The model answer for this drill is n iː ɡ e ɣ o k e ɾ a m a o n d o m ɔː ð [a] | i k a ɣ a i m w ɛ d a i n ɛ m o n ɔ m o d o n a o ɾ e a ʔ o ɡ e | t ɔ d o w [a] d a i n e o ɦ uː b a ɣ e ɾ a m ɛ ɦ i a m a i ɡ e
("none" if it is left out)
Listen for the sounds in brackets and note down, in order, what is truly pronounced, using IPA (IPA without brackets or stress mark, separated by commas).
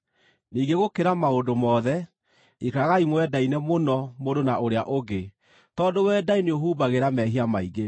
ɛ, ɛ